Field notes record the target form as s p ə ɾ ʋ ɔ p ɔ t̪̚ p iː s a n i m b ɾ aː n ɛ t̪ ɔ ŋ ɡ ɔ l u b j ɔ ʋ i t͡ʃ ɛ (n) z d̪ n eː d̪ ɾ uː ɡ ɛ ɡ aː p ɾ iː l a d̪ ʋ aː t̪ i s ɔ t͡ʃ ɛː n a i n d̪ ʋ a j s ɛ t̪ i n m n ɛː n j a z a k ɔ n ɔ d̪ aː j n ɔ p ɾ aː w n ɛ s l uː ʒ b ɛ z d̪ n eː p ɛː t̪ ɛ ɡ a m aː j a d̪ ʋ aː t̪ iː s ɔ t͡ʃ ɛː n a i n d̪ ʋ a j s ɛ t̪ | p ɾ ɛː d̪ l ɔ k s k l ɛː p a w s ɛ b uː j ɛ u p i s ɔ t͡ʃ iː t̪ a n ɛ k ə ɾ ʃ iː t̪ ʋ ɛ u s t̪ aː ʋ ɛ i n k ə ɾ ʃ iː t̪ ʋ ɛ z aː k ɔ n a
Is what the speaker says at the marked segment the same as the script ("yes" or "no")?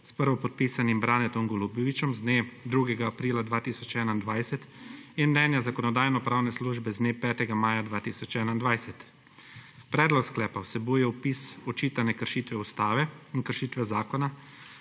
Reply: no